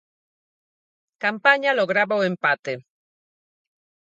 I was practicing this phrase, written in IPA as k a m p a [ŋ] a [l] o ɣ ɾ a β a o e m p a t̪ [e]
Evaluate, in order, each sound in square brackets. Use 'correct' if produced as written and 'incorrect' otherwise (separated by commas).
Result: incorrect, correct, correct